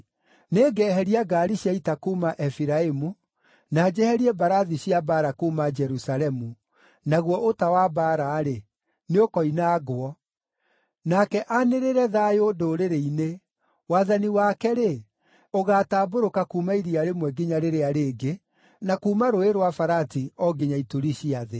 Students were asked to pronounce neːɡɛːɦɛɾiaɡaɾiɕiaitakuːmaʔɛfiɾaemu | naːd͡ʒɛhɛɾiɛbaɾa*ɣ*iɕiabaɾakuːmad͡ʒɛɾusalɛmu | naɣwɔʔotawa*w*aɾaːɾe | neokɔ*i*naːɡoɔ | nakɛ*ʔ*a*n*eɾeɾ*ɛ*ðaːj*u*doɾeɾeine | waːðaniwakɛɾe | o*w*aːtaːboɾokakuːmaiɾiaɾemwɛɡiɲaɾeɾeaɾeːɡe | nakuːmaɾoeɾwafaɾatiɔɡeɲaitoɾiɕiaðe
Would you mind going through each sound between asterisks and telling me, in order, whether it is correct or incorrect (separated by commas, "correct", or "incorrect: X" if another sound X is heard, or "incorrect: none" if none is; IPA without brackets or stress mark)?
incorrect: ð, incorrect: b, correct, correct, correct, correct, incorrect: o, incorrect: ɣ